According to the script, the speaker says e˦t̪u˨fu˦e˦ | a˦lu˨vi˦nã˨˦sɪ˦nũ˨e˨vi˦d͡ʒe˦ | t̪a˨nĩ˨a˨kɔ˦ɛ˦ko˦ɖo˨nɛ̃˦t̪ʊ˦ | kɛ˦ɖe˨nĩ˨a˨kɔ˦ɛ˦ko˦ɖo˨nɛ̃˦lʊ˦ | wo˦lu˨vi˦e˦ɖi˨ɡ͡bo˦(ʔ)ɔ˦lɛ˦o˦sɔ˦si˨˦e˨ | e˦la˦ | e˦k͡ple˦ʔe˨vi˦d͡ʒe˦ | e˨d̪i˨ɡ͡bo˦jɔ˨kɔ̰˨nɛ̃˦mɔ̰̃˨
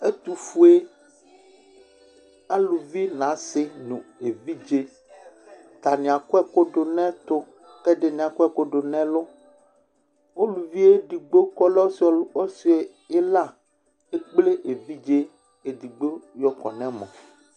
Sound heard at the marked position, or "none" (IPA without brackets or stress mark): k